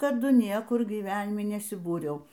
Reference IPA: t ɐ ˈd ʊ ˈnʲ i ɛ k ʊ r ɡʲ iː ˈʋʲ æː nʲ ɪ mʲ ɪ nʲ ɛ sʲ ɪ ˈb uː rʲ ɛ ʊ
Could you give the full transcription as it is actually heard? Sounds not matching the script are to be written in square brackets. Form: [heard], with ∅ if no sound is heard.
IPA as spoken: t ɐ ˈd ʊ ˈnʲ i ɛ k ʊ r ɡʲ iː ˈʋʲ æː nʲ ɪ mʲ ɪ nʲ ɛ sʲ ɪ ˈb uː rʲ ɛ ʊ